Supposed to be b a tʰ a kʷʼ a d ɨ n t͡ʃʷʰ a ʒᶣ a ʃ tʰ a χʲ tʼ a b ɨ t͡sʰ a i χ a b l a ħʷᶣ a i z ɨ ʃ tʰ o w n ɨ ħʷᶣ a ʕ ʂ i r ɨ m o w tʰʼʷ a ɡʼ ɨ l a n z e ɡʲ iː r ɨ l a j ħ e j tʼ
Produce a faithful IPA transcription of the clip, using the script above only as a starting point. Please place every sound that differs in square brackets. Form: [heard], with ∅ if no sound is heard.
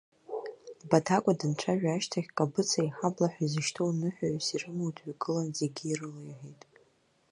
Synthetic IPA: b a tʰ a kʷʼ a d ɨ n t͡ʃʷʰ a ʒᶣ a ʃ tʰ a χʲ [kʼ] a b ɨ t͡sʰ a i [ħ] a b l a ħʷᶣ a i z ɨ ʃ tʰ o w n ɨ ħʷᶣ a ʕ [s] i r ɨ m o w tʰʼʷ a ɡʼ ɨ l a n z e ɡʲ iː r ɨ l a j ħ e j tʼ